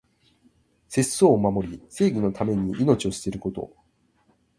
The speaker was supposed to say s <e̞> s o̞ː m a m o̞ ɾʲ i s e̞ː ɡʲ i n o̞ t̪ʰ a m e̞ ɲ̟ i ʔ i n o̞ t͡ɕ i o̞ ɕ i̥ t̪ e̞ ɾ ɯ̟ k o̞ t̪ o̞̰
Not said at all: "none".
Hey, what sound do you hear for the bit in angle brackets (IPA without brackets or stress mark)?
e̞